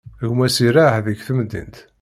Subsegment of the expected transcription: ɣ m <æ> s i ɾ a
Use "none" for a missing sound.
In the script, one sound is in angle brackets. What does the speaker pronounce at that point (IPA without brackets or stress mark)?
æ